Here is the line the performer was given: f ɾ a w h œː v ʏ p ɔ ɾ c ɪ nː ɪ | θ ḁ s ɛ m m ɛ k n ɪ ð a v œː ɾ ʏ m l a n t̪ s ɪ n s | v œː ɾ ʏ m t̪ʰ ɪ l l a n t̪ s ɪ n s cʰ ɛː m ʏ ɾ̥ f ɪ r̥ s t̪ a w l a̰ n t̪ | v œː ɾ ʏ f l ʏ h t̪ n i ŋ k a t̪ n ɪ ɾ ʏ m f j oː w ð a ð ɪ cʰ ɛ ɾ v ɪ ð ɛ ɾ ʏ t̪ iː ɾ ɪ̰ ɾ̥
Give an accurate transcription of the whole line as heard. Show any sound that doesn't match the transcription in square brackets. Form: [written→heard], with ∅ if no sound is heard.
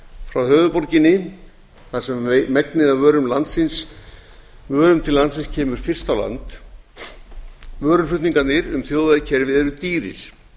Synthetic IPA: f ɾ a w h œː v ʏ p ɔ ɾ c ɪ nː ɪ | θ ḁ s ɛ m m ɛ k n ɪ ð a v œː ɾ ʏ m l a n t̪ s ɪ n s | v œː ɾ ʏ m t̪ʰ ɪ l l a n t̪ s ɪ n s cʰ ɛː m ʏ ɾ̥ f ɪ r̥ s t̪ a w l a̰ n t̪ | v œː ɾ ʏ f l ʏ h t̪ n i ŋ k a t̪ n ɪ ɾ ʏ m [f→θ] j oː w ð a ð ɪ cʰ ɛ ɾ v ɪ ð ɛ ɾ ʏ t̪ iː ɾ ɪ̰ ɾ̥

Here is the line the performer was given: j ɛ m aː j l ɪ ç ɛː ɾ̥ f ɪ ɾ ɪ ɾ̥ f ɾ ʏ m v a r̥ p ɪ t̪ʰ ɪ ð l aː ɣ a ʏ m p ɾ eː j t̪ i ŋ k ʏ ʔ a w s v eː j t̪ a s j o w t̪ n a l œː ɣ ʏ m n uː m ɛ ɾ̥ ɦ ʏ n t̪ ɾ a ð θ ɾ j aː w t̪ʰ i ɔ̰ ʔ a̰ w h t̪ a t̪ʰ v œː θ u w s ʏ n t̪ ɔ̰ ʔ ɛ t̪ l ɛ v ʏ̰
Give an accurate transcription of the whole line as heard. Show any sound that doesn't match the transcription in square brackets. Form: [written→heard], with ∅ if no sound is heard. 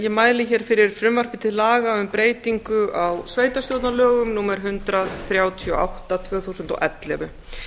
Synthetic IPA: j ɛ m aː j l ɪ ç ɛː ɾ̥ f ɪ ɾ ɪ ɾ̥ f ɾ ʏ m v a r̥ p ɪ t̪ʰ ɪ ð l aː ɣ a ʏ m p ɾ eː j t̪ i ŋ k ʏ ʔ a w s v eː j t̪ a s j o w t̪ n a l œː ɣ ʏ m n uː m ɛ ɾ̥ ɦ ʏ n t̪ ɾ a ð θ ɾ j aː w t̪ʰ i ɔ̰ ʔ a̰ w h t̪ a t̪ʰ v œː θ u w s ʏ n t̪ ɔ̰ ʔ ɛ t̪ l ɛ v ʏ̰

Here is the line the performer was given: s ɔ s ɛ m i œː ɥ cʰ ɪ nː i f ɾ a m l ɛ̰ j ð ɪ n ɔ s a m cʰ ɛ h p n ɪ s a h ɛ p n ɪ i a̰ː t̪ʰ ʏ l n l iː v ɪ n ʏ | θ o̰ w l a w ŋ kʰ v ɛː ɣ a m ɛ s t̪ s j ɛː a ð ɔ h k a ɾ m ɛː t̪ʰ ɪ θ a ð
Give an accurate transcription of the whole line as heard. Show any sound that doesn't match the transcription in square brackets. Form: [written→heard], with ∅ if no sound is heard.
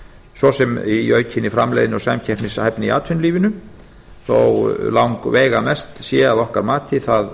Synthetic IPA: s ɔ s ɛ m i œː ɥ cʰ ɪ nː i f ɾ a m l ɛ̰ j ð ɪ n ɔ s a m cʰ ɛ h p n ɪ s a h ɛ p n ɪ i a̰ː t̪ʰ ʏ [l→∅] n l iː v ɪ n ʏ | θ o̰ w l a w ŋ [kʰ→k] v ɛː ɣ a m ɛ s t̪ s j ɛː a ð ɔ h k a ɾ m [ɛː→aː] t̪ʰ ɪ θ a ð

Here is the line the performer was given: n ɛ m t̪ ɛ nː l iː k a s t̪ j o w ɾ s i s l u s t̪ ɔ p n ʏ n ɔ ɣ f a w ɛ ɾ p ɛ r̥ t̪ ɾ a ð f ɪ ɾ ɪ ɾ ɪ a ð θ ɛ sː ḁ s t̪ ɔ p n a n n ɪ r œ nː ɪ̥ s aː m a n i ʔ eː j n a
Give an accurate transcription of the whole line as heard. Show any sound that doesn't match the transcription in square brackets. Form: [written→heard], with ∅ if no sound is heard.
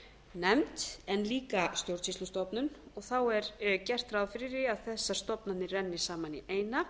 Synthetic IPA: n ɛ m t̪ ɛ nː l iː k a s t̪ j o w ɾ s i s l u s t̪ ɔ p n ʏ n ɔ ɣ [f→θ] a w ɛ ɾ [p→c] ɛ r̥ t̪ ɾ a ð f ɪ ɾ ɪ ɾ ɪ a ð θ ɛ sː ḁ s t̪ ɔ p n a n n ɪ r [œ→ɛ] nː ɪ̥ s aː m a n i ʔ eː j n a

